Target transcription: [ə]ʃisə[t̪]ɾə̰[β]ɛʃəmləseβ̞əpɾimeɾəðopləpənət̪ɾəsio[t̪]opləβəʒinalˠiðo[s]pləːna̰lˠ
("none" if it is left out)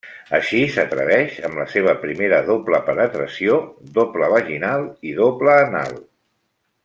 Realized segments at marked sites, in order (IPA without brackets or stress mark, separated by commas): ə, t̪, β, d̪, none